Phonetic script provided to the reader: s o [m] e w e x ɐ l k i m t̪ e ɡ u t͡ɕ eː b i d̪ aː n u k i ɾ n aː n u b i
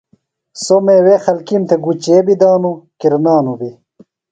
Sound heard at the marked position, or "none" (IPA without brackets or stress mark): m